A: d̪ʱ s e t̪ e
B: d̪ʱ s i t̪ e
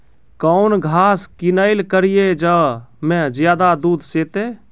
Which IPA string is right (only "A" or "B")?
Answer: A